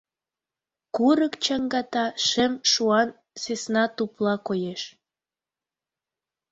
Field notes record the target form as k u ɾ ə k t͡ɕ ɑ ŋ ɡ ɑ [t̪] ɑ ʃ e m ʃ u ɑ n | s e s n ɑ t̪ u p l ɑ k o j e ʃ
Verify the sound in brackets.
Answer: correct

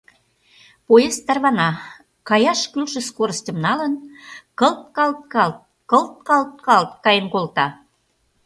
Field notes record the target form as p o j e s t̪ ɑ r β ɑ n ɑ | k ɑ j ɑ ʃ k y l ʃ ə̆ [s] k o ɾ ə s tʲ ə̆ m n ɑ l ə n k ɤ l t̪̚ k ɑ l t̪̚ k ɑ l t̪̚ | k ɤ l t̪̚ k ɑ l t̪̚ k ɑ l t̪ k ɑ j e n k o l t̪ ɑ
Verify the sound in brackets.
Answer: correct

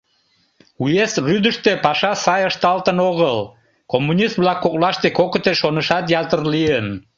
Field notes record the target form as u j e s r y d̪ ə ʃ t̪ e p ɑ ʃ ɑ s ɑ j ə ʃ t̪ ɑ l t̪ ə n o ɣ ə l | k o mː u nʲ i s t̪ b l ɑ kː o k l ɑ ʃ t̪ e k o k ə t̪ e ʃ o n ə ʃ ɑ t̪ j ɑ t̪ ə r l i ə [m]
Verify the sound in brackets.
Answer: incorrect: n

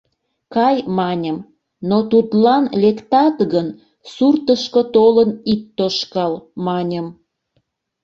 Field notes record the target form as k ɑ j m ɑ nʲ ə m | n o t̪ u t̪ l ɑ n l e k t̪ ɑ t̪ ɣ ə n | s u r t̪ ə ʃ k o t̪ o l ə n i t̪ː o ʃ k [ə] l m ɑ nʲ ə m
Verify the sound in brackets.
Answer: incorrect: ɑ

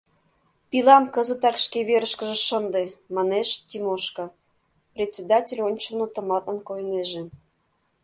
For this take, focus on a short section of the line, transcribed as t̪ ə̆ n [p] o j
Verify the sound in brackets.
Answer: incorrect: k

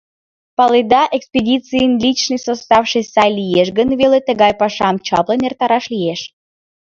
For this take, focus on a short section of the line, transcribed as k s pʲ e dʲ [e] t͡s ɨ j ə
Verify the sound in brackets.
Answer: incorrect: i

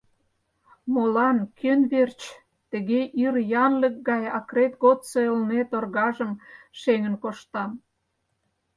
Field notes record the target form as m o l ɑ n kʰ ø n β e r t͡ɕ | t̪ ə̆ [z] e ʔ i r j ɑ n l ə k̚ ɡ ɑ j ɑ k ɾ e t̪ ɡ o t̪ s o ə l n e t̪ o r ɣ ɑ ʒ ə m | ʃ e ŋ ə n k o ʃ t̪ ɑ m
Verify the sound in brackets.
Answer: incorrect: ɣ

